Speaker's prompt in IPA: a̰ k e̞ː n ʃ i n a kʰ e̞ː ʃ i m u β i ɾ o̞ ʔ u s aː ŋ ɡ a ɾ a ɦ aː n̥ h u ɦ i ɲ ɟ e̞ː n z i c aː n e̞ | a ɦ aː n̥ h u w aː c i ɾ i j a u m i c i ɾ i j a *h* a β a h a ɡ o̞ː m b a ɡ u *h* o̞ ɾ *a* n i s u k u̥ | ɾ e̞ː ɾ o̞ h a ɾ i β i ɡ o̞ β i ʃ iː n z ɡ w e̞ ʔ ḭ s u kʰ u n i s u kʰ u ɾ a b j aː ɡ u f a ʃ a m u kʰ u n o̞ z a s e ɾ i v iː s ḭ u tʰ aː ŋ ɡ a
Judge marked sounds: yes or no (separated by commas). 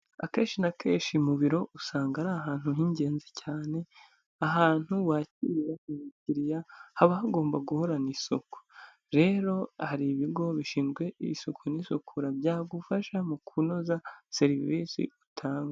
yes, yes, yes